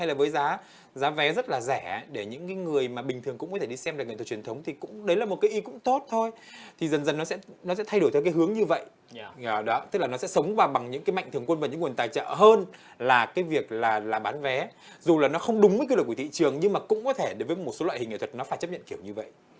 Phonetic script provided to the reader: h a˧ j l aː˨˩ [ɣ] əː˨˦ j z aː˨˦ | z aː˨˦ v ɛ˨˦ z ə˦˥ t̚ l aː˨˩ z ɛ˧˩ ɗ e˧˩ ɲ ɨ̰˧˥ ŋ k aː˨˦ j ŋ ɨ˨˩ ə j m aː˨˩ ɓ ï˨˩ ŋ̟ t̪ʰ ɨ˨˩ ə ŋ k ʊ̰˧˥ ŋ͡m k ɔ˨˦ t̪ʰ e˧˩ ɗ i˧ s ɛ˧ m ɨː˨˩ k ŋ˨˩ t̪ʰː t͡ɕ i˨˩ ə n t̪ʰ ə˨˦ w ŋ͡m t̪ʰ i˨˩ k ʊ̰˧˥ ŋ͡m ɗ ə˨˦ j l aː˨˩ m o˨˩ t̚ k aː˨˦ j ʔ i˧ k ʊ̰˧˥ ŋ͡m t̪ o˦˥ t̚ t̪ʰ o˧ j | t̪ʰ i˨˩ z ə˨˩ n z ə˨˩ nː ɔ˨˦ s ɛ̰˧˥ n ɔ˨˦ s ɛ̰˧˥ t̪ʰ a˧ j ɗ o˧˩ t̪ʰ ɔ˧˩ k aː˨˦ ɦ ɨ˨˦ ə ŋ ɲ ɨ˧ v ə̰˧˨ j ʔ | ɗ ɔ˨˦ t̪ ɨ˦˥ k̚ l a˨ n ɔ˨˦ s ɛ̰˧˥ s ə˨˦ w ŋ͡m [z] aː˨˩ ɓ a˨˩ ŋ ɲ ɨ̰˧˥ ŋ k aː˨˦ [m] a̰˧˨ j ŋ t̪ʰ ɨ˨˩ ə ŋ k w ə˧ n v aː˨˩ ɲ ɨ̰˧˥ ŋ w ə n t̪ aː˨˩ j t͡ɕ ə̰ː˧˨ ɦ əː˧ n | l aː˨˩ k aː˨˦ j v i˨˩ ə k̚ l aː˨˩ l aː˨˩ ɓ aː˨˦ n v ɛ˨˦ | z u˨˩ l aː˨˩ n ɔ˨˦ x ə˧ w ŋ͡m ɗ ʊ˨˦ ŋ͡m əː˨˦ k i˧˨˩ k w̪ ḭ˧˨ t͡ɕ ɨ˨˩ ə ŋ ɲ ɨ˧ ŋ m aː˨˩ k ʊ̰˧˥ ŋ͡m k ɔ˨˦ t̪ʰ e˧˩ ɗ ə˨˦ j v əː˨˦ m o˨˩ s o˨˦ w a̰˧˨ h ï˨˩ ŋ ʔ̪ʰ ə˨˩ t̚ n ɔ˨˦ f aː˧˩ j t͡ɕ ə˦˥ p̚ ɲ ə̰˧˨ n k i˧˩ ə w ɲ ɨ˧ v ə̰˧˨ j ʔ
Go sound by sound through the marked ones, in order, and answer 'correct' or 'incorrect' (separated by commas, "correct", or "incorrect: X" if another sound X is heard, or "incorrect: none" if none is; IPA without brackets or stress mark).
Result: incorrect: v, incorrect: v, correct